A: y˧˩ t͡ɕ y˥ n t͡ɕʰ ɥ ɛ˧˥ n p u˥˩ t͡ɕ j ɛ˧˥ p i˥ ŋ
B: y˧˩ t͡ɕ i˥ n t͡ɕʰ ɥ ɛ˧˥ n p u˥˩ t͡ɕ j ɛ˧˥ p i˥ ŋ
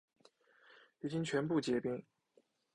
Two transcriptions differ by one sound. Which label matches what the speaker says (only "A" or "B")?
B